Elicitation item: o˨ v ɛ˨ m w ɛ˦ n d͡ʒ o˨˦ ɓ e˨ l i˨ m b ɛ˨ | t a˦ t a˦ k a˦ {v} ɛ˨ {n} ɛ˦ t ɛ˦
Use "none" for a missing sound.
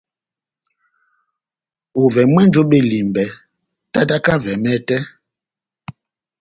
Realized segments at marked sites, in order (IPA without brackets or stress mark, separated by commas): v, m